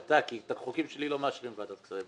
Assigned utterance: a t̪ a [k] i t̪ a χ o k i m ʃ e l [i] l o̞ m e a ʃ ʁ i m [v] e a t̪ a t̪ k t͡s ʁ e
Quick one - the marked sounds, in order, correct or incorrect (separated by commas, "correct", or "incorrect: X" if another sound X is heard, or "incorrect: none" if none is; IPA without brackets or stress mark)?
correct, correct, correct